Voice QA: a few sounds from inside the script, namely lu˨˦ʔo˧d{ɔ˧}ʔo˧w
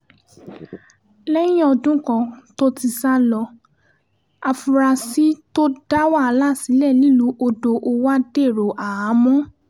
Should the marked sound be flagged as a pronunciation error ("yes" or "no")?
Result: yes